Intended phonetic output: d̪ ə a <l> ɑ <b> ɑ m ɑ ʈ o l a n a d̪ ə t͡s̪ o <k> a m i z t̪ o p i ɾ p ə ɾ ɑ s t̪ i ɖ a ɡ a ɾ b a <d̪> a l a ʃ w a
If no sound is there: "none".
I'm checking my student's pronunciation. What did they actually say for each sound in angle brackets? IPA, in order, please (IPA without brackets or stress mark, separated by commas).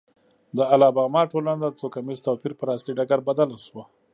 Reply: l, b, k, d̪